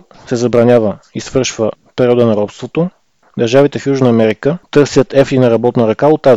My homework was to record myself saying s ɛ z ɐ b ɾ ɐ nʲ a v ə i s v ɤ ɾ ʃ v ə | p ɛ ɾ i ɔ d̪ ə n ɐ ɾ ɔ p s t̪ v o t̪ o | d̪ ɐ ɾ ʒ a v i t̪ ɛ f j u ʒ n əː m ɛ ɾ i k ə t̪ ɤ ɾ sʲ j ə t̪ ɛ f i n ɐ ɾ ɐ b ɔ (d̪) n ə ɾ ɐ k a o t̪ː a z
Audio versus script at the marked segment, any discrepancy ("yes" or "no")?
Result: yes